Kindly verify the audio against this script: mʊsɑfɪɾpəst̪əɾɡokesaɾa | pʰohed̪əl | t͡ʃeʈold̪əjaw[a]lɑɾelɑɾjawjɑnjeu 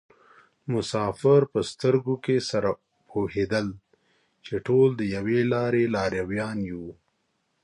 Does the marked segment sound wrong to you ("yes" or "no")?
yes